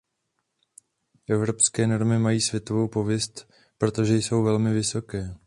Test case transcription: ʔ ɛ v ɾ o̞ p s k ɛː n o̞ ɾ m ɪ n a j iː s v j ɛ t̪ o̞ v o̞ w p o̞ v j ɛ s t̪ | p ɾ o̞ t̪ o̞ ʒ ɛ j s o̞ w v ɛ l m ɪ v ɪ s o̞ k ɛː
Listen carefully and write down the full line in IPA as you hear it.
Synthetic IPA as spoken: ʔ ɛ v ɾ o̞ p s k ɛː n o̞ ɾ m ɪ m a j iː s v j ɛ t̪ o̞ v o̞ w p o̞ v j ɛ s t̪ | p ɾ o̞ t̪ o̞ ʒ ɛ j s o̞ w v ɛ l m ɪ v ɪ s o̞ k ɛː

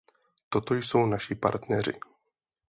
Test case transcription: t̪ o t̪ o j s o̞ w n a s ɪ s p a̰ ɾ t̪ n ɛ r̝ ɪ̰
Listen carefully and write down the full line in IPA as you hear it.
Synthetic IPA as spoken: t̪ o t̪ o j s o̞ w n a ʃ ɪ p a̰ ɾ t̪ n ɛ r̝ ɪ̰

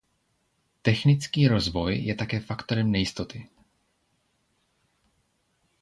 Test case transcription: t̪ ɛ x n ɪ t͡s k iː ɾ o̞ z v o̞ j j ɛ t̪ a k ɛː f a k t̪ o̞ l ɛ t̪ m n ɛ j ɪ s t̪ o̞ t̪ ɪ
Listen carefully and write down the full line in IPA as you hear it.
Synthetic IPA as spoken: t̪ ɛ x n ɪ t͡s k iː ɾ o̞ z v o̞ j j ɛ t̪ a k ɛː f a k t̪ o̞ ɾ ɛ m n ɛ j ɪ s t̪ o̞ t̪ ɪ

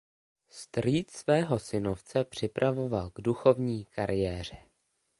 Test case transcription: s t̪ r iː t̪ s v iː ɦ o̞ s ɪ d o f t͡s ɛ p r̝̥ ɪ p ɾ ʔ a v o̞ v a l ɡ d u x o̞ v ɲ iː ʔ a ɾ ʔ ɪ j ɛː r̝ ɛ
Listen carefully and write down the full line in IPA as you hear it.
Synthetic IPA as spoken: s t̪ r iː t̪ s v ɛː ɦ o̞ s ɪ n o f t͡s ɛ p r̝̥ ɪ p ɾ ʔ a v o̞ v a l ɡ d u x o̞ v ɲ iː k a ɾ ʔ ɪ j ɛː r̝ ɛ

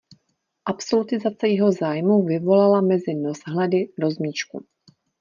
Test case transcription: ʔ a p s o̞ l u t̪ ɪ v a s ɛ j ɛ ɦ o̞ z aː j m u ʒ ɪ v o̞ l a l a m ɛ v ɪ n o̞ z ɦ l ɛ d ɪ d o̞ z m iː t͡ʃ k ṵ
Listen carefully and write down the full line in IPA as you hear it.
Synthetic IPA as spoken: ʔ a p s o̞ l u t̪ ɪ z a t͡s ɛ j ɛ ɦ o̞ z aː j m u v ɪ v o̞ l a l a m ɛ z ɪ n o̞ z ɦ l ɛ d ɪ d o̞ z m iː t͡ʃ k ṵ

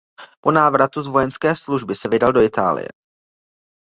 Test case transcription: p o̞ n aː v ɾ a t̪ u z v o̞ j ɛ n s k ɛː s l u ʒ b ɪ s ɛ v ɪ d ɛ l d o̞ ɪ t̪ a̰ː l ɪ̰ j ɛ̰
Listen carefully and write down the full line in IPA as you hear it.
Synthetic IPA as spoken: p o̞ n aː v ɾ a t̪ u z v o̞ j ɛ n s k ɛː s l u ʒ b ɪ s ɛ v ɪ d a l d o̞ ɪ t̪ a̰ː l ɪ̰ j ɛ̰

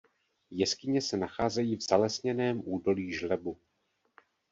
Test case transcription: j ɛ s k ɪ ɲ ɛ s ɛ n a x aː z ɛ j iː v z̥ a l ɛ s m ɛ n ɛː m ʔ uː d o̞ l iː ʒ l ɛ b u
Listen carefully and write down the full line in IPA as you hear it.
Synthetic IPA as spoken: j ɛ s k ɪ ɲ ɛ s ɛ n a x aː z ɛ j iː v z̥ a l ɛ s ɲ ɛ n ɛː m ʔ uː d o̞ l iː ʒ l ɛ b u

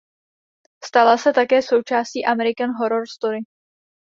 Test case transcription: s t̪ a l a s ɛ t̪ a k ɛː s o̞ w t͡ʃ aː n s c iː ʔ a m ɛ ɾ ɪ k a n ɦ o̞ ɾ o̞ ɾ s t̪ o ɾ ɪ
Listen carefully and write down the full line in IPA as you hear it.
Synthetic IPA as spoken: s t̪ a l a s ɛ t̪ a k ɛː s o̞ w t͡ʃ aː s c iː ʔ a m ɛ ɾ ɪ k a n ɦ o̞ ɾ o̞ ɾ s t̪ o ɾ ɪ

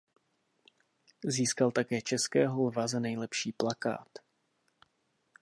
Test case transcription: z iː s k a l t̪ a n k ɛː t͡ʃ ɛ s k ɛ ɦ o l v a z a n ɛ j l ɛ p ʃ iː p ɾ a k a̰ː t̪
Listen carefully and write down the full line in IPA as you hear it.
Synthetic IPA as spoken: z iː s k a l t̪ a k ɛː t͡ʃ ɛ s k ɛː ɦ o l v a z a n ɛ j l ɛ p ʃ iː p l a k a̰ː t̪

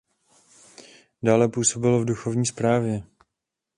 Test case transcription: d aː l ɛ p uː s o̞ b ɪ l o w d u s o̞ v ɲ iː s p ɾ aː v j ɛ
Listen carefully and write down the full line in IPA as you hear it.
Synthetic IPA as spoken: d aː l ɛ p uː s o̞ b ɪ l o v d u x o̞ v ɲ iː s p ɾ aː v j ɛ

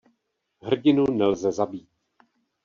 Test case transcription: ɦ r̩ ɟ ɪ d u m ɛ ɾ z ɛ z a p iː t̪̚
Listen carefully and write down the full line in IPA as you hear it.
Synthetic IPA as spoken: ɦ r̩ ɟ ɪ n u n ɛ l z ɛ z a b iː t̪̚

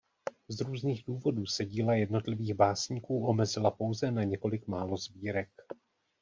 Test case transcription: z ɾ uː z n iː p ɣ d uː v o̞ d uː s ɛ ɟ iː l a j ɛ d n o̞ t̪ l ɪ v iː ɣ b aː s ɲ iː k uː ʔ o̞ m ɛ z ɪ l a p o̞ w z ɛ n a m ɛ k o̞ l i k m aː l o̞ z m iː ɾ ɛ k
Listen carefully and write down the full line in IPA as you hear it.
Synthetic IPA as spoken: z ɾ uː z n iː ɣ d uː v o̞ d uː s ɛ ɟ iː l a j ɛ d n o̞ t̪ l ɪ v iː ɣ b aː s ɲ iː k uː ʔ o̞ m ɛ z ɪ l a p o̞ w z ɛ n a ɲ ɛ k o̞ l ɪ k m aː l o̞ z b iː ɾ ɛ k

